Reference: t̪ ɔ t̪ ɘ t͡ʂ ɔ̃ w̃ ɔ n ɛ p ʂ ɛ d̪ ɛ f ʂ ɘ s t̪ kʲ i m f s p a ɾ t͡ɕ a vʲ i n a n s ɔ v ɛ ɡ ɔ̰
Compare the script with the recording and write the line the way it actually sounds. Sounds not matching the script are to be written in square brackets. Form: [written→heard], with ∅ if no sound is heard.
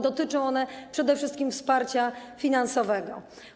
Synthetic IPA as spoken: [t̪→d̪] ɔ t̪ ɘ t͡ʂ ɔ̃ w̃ ɔ n ɛ p ʂ ɛ d̪ ɛ f ʂ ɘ s t̪ kʲ i m f s p a ɾ t͡ɕ a [vʲ→fʲ] i n a n s ɔ v ɛ ɡ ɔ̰

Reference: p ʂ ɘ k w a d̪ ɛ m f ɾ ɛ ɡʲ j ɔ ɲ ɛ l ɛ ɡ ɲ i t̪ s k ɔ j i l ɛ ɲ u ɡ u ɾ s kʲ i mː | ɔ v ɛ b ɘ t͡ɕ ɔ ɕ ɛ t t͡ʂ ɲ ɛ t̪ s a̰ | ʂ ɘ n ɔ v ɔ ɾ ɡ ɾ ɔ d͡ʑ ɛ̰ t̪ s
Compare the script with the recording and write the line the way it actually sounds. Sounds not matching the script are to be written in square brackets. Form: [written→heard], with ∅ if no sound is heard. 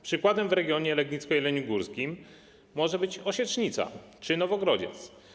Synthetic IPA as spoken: p ʂ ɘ k w a d̪ ɛ m [f→v] ɾ ɛ ɡʲ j ɔ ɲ ɛ l ɛ ɡ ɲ i t̪ s k ɔ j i l ɛ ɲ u ɡ u ɾ s kʲ i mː | ɔ [v→ʐ] ɛ b ɘ t͡ɕ ɔ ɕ ɛ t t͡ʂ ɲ [ɛ→i] t̪ s a̰ | [ʂ→t͡ʂ] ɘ n ɔ v ɔ [ɾ→∅] ɡ ɾ ɔ d͡ʑ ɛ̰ t̪ s

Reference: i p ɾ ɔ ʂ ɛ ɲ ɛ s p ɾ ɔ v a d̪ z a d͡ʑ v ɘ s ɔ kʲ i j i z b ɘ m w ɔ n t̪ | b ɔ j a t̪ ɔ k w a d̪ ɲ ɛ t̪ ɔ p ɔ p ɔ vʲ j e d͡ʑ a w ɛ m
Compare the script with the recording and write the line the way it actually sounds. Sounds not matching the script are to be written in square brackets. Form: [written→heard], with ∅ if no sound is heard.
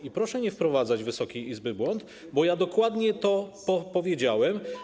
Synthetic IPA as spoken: i p ɾ ɔ ʂ ɛ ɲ ɛ [s→f] p ɾ ɔ v a d̪ z a d͡ʑ v ɘ s ɔ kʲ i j i z b ɘ [m→b] w ɔ n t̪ | b ɔ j a [t̪→d̪] ɔ k w a d̪ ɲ ɛ t̪ ɔ p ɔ p ɔ vʲ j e d͡ʑ a w ɛ m

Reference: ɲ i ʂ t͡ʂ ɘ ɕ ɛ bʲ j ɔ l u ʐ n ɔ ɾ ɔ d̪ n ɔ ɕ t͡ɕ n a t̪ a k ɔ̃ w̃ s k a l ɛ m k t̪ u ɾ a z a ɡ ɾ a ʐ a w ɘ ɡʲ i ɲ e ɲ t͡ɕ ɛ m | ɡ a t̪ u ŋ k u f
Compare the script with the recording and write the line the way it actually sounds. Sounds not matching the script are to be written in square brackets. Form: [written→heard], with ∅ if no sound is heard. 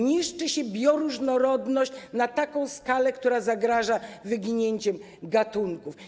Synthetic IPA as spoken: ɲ i ʂ t͡ʂ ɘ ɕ ɛ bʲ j ɔ [l→ɾ] u ʐ n ɔ ɾ ɔ d̪ n ɔ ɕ t͡ɕ n a t̪ a k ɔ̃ w̃ s k a l ɛ [m→∅] k t̪ u ɾ a z a ɡ ɾ a ʐ a [w→v] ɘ ɡʲ i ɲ e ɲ t͡ɕ ɛ m | ɡ a t̪ u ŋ k u f

